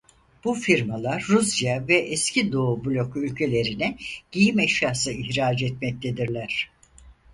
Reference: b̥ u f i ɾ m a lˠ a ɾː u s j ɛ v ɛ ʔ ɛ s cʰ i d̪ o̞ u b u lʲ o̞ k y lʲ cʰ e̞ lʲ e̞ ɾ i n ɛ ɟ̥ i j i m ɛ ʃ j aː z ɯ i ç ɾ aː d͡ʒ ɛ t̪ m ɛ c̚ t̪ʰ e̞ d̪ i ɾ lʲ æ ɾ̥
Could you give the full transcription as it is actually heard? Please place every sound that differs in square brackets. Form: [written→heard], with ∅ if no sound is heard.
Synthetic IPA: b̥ u f i ɾ m a lˠ a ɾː u s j [ɛ→a] v ɛ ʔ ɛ s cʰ i d̪ o̞ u b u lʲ o̞ k y lʲ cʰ e̞ lʲ e̞ ɾ i n ɛ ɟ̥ i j i m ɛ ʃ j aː [z→s] ɯ i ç ɾ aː d͡ʒ ɛ t̪ m ɛ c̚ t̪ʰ e̞ d̪ i ɾ lʲ æ ɾ̥